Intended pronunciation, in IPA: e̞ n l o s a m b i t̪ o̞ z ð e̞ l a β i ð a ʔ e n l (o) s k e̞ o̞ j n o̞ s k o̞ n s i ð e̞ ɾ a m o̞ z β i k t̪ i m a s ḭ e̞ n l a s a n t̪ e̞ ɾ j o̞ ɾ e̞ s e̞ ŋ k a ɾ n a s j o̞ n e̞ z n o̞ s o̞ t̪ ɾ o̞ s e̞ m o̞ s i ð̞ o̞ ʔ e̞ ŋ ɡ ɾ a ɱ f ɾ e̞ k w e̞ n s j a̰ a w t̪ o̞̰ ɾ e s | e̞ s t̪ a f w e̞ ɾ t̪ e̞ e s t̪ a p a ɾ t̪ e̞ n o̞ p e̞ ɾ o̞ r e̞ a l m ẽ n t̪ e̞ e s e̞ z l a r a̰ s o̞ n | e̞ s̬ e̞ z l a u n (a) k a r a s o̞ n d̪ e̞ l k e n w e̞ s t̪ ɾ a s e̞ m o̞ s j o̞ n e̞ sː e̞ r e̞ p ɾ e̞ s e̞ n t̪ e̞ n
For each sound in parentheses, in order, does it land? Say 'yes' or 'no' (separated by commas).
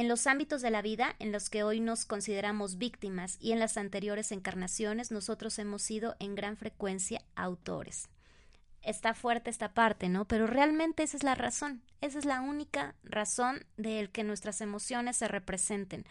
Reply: yes, no